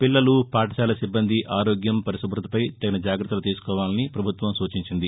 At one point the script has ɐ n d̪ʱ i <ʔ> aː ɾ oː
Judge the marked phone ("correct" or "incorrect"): correct